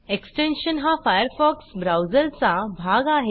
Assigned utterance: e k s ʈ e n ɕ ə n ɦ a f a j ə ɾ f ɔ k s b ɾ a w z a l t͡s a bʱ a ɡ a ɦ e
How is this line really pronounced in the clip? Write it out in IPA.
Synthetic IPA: e k s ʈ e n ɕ ə n ɦ a f a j ə ɾ f ɔ k s b ɾ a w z ə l t͡s a bʱ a ɡ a ɦ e